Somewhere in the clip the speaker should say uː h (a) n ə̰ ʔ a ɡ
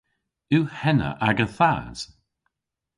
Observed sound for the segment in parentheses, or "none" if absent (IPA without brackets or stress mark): ɛ